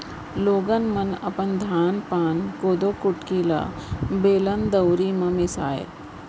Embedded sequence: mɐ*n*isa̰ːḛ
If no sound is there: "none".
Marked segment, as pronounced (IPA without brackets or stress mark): m